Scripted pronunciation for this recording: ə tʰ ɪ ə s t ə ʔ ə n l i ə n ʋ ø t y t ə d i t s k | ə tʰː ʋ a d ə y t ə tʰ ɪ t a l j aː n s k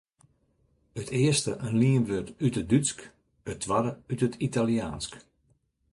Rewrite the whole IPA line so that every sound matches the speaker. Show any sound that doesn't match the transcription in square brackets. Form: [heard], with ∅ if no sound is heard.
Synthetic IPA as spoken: ə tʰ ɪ ə s t ə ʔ ə n l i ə n ʋ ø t y t ə d [y] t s k | ə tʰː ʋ a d ə y t ə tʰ [i] t a l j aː n s k